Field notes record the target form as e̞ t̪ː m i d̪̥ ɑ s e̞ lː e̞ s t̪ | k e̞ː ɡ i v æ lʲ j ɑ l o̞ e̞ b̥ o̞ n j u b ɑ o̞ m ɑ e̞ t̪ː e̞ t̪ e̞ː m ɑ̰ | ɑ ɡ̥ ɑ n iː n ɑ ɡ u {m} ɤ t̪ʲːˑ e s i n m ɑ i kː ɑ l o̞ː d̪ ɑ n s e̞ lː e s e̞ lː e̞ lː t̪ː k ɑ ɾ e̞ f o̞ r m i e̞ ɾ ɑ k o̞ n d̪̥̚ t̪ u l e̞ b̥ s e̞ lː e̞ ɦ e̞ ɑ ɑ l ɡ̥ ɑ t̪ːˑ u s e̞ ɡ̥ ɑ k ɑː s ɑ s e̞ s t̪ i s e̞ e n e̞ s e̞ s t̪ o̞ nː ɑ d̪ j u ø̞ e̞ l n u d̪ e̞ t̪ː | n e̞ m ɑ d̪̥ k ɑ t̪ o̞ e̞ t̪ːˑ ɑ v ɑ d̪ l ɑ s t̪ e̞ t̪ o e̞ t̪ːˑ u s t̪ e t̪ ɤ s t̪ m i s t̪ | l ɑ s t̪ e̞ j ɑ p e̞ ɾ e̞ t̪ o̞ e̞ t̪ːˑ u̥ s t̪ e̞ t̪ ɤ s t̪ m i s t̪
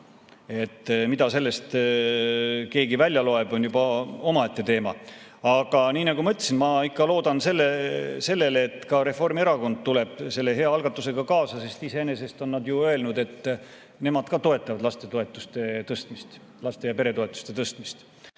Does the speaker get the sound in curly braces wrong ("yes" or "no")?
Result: no